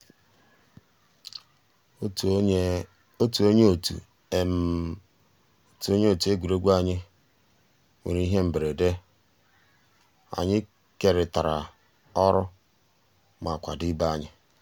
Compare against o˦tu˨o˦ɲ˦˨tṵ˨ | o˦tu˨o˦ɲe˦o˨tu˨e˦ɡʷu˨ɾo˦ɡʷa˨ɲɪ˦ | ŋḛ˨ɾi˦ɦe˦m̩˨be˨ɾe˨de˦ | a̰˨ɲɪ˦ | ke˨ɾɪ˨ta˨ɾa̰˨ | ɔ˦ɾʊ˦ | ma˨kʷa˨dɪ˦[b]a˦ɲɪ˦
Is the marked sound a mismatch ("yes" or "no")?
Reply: no